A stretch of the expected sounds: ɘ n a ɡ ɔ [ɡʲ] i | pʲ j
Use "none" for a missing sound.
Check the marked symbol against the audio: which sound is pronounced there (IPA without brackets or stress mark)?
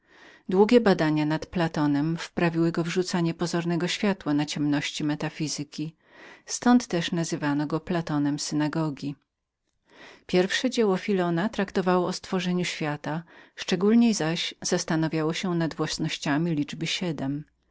ɡʲ